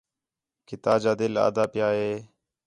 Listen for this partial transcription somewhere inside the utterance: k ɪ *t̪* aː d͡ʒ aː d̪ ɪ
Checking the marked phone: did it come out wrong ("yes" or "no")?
no